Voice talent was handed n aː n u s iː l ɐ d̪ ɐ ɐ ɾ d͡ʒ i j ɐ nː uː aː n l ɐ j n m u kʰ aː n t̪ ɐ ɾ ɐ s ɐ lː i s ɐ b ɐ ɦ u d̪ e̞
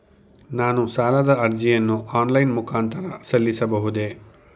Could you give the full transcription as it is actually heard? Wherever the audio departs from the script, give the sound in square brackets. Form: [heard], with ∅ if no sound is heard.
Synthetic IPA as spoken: n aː n u s [aː] l ɐ d̪ ɐ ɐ ɾ d͡ʒ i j ɐ nː [u] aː n l ɐ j n m u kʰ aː n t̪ ɐ ɾ ɐ s ɐ lː i s ɐ b ɐ ɦ u d̪ e̞